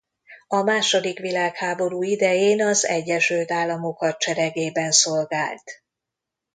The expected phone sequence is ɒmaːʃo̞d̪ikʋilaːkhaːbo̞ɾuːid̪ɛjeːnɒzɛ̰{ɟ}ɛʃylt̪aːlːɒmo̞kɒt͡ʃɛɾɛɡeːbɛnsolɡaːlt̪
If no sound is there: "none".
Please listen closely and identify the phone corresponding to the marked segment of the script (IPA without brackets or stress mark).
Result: ɟː